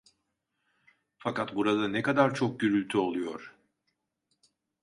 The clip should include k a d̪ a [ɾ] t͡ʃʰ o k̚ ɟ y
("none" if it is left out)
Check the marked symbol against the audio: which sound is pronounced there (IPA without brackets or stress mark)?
ɾ